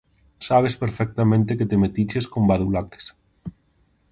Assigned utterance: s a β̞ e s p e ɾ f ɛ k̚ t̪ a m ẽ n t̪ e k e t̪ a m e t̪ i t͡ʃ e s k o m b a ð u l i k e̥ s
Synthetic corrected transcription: s a β̞ e s p e ɾ f ɛ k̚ t̪ a m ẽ n t̪ e k e t̪ e m e t̪ i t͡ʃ e s k o m b a ð u l a k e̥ s